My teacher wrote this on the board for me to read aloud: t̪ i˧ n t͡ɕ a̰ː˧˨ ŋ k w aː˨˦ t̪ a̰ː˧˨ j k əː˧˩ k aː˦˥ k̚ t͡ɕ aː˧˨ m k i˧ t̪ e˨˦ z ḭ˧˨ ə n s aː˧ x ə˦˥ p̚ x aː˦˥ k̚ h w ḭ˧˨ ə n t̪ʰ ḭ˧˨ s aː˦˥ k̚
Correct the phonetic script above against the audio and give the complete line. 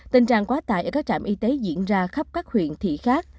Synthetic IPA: t̪ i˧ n t͡ɕ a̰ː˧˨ ŋ k w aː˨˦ t̪ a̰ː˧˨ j ʔ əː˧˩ k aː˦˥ k̚ t͡ɕ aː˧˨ m ʔ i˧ t̪ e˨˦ z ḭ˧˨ ə n z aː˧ x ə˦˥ p̚ k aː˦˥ k̚ h w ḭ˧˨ ə n t̪ʰ ḭ˧˨ x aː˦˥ k̚